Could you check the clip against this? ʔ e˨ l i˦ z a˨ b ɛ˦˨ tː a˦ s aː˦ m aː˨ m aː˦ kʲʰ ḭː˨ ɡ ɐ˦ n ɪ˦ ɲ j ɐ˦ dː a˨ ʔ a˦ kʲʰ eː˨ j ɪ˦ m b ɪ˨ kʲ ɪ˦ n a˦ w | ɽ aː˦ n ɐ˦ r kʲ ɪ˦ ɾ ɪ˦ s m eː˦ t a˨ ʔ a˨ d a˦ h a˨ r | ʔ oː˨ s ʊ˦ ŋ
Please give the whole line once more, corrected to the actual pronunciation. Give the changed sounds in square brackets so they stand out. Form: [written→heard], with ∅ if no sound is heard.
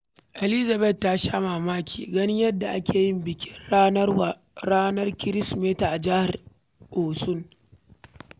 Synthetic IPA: ʔ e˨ l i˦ z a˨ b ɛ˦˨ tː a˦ [s→ʃ] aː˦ m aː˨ m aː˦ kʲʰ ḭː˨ ɡ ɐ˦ n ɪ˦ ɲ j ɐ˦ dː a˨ ʔ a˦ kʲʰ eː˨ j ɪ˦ m b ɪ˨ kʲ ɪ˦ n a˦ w | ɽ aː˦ n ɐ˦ r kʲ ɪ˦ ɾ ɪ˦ s m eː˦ t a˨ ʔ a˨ [d→d͡ʒ] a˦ h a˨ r | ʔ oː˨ s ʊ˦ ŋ